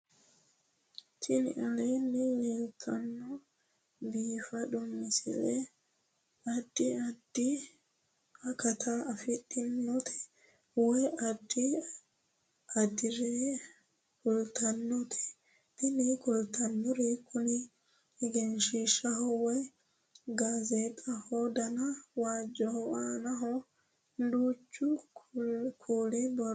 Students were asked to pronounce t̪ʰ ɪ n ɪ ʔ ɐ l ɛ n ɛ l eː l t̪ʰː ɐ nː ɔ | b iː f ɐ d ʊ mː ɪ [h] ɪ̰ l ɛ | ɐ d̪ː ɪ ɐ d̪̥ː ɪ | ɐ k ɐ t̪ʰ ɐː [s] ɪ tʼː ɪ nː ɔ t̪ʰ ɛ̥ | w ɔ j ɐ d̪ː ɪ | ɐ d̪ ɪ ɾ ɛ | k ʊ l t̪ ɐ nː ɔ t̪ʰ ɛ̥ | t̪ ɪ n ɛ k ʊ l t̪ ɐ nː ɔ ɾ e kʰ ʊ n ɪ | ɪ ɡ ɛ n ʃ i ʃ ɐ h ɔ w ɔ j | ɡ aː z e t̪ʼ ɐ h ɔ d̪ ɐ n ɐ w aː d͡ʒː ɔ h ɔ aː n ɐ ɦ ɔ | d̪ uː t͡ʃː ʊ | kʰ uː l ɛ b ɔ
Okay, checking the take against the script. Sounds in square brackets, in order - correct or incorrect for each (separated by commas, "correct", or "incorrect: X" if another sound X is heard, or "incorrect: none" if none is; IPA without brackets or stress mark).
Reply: incorrect: s, incorrect: f